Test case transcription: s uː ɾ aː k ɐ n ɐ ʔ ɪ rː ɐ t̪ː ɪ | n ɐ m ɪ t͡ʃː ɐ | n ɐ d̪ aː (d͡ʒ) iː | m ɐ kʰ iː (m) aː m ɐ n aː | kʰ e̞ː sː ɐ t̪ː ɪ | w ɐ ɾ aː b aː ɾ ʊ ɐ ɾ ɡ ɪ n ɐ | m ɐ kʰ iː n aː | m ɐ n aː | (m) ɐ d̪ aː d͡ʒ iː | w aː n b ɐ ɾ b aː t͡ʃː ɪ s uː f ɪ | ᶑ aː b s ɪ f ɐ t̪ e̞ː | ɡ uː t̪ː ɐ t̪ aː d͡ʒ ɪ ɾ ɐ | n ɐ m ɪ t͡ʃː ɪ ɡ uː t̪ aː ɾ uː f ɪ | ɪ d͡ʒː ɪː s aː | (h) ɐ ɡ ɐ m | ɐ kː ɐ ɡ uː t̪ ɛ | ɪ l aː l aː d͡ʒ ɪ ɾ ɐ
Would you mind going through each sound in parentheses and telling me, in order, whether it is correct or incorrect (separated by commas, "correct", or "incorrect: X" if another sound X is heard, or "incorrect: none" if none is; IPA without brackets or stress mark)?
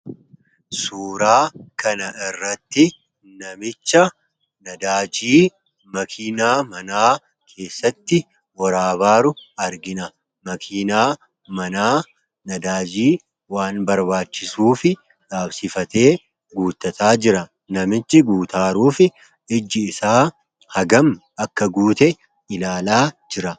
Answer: correct, incorrect: n, incorrect: n, correct